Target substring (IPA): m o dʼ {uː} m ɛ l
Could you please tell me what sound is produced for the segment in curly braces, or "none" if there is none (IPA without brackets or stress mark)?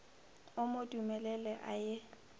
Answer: u